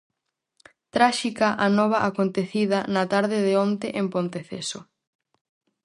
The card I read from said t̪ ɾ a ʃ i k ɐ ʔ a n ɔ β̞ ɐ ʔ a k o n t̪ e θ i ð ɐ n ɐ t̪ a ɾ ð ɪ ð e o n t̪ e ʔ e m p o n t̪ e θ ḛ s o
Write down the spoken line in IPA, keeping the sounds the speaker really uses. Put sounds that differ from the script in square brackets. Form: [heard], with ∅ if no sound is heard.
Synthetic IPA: t̪ ɾ a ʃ i k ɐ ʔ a n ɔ β̞ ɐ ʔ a k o n t̪ e θ i ð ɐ n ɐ t̪ a ɾ ð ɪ ð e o n t̪ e ʔ e m p o n t̪ e θ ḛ s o